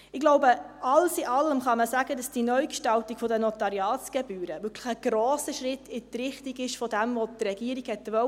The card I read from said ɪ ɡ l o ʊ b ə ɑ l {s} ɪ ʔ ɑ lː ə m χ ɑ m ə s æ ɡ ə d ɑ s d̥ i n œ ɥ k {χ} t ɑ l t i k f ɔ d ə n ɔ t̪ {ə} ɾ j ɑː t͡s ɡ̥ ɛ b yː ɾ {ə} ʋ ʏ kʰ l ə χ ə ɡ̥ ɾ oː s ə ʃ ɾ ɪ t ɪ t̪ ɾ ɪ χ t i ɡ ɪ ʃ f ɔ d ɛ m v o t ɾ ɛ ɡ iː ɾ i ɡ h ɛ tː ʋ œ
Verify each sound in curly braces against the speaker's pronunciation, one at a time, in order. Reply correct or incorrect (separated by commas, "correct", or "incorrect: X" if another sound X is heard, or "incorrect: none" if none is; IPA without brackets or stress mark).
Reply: correct, incorrect: ʃ, incorrect: ɑ, correct